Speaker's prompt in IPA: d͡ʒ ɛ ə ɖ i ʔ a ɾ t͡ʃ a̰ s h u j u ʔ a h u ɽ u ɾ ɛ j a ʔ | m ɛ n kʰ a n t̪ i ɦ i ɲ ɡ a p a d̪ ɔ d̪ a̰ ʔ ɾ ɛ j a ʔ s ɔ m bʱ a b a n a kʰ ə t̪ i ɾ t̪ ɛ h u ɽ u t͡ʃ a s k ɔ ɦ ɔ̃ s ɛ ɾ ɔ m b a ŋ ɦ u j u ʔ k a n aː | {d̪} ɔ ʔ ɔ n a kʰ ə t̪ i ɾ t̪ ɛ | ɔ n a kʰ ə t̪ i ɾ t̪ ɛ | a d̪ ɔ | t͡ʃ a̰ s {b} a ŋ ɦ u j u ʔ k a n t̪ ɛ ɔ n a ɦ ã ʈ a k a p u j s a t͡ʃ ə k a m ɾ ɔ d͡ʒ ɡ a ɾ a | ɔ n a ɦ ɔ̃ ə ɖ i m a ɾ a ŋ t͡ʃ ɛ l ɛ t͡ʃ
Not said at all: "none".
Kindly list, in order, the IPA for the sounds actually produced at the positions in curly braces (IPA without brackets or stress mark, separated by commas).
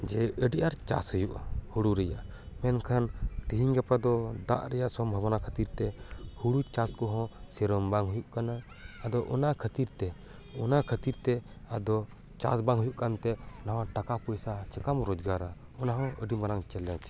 d̪, b